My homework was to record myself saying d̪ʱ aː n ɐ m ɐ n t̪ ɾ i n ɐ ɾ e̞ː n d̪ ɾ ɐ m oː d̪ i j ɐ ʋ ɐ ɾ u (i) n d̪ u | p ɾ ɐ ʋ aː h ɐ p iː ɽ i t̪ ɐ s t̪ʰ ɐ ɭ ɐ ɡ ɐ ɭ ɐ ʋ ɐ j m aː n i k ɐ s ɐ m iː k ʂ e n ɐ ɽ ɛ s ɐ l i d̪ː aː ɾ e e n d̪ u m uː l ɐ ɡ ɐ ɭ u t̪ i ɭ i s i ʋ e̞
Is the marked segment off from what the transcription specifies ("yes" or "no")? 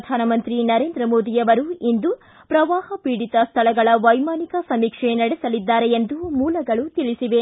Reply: no